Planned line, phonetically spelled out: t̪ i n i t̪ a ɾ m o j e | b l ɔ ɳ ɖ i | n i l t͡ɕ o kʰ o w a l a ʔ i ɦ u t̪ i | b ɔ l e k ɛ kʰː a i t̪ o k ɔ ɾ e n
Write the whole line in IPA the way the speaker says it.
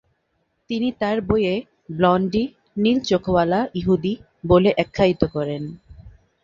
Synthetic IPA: t̪ i n i t̪ a ɾ b o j e | b l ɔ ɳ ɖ i | n i l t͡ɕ o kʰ o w a l a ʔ i ɦ u d̪ i | b o l e ʔ ɛ kʰː a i t̪ o k ɔ ɾ e n